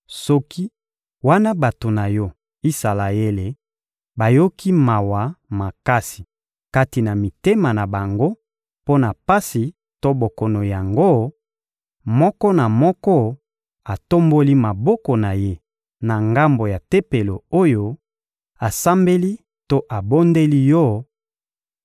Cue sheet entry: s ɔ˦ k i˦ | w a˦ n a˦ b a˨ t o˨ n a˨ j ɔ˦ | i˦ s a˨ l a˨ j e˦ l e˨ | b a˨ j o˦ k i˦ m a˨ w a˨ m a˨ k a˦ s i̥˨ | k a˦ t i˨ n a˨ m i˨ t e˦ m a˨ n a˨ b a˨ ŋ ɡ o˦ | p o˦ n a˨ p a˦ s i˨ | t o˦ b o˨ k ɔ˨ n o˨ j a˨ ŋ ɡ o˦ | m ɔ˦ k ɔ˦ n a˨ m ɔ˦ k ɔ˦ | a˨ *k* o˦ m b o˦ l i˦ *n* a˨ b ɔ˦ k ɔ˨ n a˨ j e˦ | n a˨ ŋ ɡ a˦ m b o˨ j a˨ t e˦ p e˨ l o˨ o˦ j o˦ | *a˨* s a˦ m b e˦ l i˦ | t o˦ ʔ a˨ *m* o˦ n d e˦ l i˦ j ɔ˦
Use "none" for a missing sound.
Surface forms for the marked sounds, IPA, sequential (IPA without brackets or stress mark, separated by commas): t, m, a˨, b